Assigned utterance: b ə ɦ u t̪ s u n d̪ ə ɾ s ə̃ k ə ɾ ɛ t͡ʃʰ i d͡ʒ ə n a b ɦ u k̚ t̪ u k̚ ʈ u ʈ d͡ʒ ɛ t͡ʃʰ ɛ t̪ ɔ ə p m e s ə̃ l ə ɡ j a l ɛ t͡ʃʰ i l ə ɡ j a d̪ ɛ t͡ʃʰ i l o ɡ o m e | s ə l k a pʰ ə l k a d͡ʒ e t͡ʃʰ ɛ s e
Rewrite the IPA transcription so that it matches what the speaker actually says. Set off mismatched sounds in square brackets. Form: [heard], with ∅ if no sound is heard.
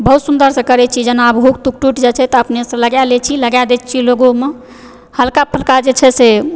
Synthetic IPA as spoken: b ə ɦ u t̪ s u n d̪ ə ɾ s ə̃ k ə ɾ ɛ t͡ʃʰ i d͡ʒ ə n a b ɦ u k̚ t̪ u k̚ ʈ u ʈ d͡ʒ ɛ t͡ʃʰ ɛ t̪ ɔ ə p [n] e s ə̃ l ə ɡ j a l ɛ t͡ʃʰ i l ə ɡ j a d̪ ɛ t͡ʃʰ i l o ɡ o m e | [h] ə l k a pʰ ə l k a d͡ʒ e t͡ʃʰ ɛ s e